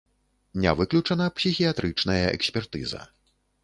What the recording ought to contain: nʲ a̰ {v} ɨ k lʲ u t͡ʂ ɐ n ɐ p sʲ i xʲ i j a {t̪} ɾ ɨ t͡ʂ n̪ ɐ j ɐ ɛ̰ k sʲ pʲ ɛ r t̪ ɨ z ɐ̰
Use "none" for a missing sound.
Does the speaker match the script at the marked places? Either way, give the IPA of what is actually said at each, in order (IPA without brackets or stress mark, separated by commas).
v, t̪